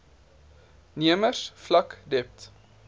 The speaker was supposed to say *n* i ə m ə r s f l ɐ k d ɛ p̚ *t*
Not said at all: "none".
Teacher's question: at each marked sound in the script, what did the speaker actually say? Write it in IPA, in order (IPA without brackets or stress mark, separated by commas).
n, t